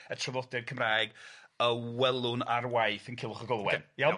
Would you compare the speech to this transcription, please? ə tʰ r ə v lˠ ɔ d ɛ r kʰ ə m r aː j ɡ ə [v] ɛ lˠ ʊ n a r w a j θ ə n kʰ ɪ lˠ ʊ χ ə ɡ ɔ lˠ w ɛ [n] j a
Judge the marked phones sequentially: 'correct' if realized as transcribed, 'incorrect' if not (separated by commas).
incorrect, correct